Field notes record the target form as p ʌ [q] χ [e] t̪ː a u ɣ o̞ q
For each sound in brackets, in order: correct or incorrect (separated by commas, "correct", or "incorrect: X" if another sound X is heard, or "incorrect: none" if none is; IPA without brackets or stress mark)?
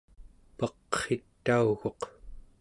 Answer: correct, correct